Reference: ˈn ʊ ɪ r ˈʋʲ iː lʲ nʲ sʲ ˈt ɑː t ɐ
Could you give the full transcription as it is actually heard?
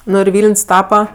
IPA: ˈn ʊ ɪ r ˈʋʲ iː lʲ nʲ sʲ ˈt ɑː p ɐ

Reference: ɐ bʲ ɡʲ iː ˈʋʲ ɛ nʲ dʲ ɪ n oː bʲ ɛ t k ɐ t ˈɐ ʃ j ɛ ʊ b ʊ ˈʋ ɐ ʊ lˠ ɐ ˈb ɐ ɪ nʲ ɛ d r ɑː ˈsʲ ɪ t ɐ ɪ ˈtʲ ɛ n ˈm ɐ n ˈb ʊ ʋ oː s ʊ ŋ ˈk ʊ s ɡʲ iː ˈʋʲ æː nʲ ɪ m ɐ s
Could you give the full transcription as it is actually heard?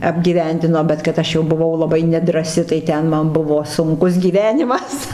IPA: ɐ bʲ ɡʲ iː ˈʋʲ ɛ nʲ dʲ ɪ n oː bʲ ɛ t k ɐ t ˈɐ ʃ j ɛ ʊ b ʊ ˈʋ ɐ ʊ lˠ ɐ ˈb ɐ ɪ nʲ ɛ d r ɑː ˈsʲ ɪ t ɐ ɪ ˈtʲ ɛ n ˈm ɐ n ˈb ʊ ʋ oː s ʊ ŋ ˈk ʊ s ɡʲ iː ˈʋʲ æː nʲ ɪ m ɐ s

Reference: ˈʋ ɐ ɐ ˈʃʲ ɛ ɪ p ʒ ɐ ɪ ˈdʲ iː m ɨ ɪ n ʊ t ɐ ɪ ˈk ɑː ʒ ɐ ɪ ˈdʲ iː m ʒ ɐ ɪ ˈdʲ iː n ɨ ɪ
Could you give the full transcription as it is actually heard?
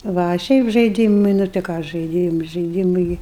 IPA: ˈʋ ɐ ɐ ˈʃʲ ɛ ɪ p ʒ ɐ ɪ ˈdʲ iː m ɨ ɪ n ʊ t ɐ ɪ ˈk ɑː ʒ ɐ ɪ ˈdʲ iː m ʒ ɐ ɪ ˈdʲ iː m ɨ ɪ

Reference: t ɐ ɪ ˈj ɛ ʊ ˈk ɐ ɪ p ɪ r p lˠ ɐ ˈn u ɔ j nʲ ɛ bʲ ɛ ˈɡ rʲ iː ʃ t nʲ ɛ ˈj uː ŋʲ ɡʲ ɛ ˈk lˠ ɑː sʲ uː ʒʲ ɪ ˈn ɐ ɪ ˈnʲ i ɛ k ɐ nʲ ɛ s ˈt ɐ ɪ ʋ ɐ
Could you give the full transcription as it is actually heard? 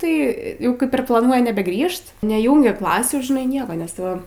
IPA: t ɐ ɪ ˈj ɛ ʊ ˈk ɐ ɪ p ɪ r p lˠ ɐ ˈn u ɔ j nʲ ɛ bʲ ɛ ˈɡ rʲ iː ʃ t nʲ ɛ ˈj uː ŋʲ ɡʲ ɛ ˈk lˠ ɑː sʲ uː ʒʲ ɪ ˈn ɐ ɪ ˈnʲ i ɛ k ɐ nʲ ɛ s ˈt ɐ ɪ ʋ ɐ

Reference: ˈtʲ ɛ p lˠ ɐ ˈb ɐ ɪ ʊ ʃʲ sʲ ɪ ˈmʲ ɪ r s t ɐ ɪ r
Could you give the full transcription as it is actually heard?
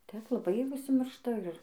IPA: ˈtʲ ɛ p lˠ ɐ ˈb ɐ ɪ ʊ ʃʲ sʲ ɪ ˈmʲ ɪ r ʃ t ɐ ɪ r

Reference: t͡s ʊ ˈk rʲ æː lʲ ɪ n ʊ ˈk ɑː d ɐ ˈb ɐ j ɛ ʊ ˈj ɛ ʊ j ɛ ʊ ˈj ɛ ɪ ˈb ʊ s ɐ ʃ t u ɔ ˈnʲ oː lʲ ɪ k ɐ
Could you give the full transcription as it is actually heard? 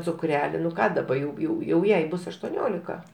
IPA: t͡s ʊ ˈk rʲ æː lʲ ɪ n ʊ ˈk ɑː d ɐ ˈb ɐ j ɛ ʊ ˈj ɛ ʊ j ɛ ʊ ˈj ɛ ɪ ˈb ʊ s ɐ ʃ t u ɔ ˈnʲ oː lʲ ɪ k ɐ

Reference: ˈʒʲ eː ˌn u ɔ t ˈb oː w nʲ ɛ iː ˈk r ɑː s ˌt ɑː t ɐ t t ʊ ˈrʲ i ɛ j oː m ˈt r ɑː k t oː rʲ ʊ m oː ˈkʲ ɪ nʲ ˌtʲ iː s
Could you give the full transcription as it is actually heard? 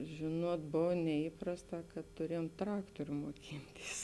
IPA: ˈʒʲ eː ˌn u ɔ t ˈb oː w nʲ ɛ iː ˈp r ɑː s ˌt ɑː k ɐ t t ʊ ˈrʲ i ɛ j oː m ˈt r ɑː k t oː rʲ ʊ m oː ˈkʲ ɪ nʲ ˌtʲ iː s

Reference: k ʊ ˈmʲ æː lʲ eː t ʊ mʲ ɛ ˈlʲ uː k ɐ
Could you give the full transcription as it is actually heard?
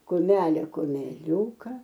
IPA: k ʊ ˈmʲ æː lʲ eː k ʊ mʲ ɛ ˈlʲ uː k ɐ

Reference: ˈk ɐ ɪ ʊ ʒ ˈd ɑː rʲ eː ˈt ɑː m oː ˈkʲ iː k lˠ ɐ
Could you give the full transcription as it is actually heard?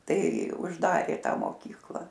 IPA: ˈt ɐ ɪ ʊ ʒ ˈd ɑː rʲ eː ˈt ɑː m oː ˈkʲ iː k lˠ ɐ

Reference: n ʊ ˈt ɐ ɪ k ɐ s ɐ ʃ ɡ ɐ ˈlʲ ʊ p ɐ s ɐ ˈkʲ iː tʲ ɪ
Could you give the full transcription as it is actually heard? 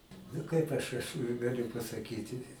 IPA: n ʊ ˈk ɐ ɪ p ɐ ʃ ɐ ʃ ɡ ɐ ˈlʲ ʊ p ɐ s ɐ ˈkʲ iː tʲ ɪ

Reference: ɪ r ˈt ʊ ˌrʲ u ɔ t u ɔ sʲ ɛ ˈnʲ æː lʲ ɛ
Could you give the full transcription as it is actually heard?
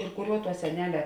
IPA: ɪ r ˈk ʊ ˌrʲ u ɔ t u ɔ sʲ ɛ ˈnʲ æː lʲ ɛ

